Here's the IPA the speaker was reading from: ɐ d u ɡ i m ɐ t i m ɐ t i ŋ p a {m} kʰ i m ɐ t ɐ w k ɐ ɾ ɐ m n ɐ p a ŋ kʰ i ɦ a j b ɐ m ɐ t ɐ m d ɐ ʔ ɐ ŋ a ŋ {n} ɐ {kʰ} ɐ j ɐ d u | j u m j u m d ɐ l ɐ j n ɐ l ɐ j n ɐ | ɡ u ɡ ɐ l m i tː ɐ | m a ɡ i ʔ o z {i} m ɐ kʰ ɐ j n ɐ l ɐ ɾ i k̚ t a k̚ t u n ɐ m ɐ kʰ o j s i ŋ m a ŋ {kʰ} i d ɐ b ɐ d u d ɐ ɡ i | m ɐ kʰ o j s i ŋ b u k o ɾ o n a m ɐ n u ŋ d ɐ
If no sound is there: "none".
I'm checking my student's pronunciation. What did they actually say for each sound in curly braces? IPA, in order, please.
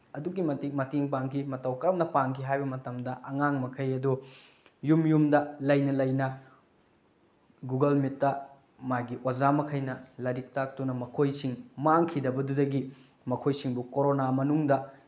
ŋ, m, kʰ, a, kʰ

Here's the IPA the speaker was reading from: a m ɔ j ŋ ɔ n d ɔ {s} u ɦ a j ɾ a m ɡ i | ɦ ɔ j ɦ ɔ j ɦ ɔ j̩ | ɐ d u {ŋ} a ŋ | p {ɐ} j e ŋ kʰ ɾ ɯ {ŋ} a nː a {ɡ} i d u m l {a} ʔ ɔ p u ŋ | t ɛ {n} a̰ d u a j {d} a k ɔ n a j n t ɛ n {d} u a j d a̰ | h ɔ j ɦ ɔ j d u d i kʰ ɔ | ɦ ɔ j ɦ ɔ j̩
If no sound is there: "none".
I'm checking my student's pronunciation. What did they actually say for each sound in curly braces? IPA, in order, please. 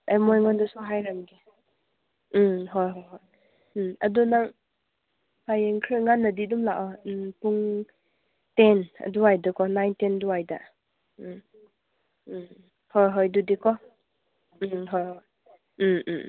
s, n, a, ŋ, d, a, n, d, d

